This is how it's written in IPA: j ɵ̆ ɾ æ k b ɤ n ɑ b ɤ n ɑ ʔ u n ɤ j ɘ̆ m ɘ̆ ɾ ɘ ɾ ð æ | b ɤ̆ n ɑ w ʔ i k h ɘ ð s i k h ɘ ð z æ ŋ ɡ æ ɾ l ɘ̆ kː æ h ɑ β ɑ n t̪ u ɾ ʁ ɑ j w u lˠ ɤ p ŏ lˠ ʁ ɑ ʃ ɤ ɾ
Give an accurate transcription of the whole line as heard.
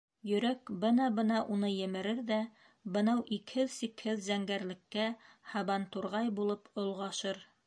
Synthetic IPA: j ɵ̆ ɾ æ k b ɤ n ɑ b ɤ n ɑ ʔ u n ɤ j ɘ̆ m ɘ̆ ɾ ɘ ɾ ð æ | b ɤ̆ n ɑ w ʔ i k h ɘ ð s i k h ɘ ð z æ ŋ ɡ æ ɾ l ɘ̆ kː æ h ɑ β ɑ n t̪ u ɾ ʁ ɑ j b u lˠ ɤ p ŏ lˠ ʁ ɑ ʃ ɤ ɾ